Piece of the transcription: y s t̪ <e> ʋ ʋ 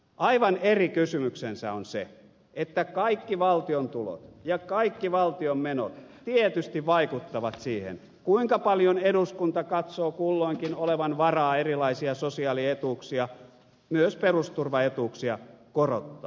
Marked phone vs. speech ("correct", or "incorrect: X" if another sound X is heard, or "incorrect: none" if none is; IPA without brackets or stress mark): incorrect: i